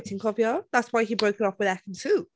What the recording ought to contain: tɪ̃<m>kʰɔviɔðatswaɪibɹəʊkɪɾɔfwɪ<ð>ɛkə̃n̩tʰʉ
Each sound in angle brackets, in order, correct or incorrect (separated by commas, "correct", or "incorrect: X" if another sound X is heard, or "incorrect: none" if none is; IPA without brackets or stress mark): incorrect: ŋ, correct